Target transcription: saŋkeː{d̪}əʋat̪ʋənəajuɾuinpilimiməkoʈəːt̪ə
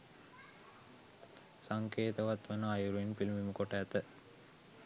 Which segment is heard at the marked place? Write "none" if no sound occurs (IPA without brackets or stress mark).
t̪